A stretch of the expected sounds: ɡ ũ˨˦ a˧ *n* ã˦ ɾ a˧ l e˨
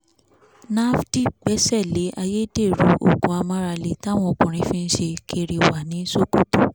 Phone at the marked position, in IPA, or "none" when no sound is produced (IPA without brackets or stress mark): m